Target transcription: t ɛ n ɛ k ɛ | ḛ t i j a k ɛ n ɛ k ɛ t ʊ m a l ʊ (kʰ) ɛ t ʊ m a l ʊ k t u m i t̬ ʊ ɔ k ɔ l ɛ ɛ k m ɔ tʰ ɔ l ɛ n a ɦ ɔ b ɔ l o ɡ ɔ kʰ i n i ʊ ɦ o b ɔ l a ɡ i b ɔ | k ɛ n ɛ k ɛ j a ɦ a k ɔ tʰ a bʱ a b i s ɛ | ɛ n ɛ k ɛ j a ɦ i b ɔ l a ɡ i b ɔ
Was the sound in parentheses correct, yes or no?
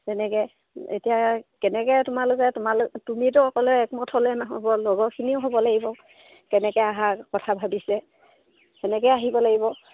no